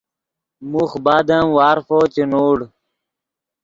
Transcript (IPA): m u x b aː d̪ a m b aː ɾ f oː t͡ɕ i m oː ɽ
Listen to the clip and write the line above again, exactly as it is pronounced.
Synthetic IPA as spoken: m u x b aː d̪ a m w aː ɾ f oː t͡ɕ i n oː ɽ